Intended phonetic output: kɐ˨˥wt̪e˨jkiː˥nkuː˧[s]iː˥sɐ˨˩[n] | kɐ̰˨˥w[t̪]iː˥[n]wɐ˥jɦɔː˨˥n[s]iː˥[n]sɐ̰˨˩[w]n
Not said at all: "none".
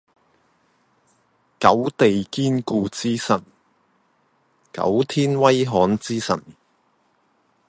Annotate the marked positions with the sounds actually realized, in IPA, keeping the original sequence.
t͡s, n, t̪ʰ, n, t͡s, none, none

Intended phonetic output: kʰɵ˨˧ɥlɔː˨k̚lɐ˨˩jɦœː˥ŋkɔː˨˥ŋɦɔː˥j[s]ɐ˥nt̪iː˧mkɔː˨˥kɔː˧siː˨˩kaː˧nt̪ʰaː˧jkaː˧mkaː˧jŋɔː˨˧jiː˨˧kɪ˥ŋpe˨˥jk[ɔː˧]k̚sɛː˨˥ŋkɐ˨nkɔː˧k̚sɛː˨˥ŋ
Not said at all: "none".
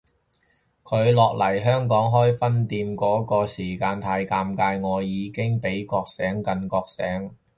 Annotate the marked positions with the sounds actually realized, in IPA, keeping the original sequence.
f, ɔː˧

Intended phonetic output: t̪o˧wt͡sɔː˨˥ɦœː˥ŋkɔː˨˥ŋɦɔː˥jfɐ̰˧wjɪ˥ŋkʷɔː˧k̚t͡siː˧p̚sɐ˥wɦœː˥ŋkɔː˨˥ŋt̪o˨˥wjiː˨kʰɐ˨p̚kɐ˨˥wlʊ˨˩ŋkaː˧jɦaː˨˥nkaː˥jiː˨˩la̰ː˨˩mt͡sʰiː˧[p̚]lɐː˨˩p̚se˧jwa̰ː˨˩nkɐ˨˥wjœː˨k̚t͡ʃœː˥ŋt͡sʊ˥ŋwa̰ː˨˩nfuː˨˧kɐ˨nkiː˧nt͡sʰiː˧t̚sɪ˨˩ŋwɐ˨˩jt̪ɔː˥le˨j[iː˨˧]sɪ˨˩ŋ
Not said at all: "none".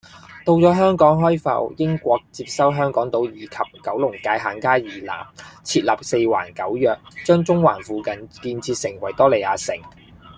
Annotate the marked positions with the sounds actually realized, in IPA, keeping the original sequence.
t̚, aː˨˧

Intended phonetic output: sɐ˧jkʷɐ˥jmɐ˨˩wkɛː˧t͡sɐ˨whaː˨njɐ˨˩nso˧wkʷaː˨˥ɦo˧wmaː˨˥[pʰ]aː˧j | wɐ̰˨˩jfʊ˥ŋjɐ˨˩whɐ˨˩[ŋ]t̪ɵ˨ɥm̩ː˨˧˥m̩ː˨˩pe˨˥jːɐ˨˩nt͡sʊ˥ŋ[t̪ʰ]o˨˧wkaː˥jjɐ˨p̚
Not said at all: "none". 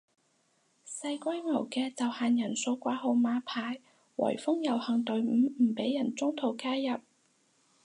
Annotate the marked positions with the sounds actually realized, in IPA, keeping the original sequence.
pʰ, ŋ, t̪ʰ

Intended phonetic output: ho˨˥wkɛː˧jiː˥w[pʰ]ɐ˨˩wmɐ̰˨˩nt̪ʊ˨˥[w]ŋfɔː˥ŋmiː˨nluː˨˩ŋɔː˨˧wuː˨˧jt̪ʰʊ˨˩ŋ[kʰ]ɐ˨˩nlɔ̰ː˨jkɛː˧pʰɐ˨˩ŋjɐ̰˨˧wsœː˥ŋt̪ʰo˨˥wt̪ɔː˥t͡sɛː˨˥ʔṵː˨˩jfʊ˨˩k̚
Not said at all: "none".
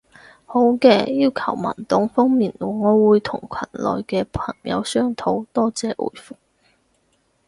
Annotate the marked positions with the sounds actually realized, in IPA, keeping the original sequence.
kʰ, none, kʰ

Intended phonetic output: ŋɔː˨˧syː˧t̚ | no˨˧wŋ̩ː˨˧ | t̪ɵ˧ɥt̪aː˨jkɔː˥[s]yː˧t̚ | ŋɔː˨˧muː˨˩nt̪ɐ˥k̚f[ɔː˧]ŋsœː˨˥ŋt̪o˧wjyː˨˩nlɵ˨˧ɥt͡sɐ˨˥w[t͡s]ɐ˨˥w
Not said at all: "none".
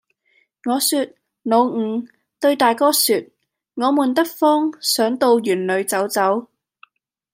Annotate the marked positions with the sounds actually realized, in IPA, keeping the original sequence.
s, ɔː˥, t͡s

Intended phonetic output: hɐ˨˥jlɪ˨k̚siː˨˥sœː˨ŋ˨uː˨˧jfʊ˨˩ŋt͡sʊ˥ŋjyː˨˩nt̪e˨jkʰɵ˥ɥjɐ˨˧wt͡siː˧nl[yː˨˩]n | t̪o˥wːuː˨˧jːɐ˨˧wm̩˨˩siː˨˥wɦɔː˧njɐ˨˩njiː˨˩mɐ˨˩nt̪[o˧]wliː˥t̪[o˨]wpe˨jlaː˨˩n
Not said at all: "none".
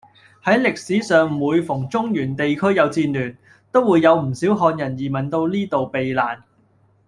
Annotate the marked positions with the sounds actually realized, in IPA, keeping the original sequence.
yː˨˩, o˧, o˨

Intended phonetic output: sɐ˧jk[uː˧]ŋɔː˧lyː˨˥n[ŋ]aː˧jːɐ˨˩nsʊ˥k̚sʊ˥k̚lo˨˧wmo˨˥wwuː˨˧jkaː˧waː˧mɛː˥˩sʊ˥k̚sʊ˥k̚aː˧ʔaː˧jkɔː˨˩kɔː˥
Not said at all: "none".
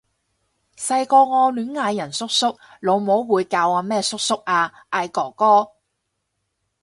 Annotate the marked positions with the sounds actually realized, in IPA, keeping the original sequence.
ɔː˧, ŋ

